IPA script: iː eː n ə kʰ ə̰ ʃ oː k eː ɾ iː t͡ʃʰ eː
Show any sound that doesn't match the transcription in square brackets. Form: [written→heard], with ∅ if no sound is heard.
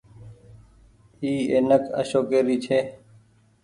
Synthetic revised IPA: iː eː n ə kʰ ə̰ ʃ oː k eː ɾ iː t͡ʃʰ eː